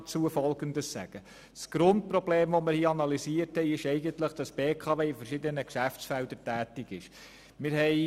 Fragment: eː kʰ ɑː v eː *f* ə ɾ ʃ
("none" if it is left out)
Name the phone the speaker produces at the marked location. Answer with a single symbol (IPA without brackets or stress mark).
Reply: f